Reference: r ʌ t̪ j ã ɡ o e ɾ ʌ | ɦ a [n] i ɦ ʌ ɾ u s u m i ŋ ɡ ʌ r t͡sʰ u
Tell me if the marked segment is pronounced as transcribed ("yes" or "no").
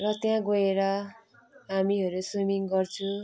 no